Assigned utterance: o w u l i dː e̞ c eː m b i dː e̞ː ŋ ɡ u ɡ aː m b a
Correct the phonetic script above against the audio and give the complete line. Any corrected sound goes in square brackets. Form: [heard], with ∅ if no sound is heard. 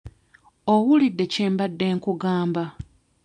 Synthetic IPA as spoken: o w u l i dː e̞ c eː m b [a] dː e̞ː ŋ [k] u ɡ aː m b a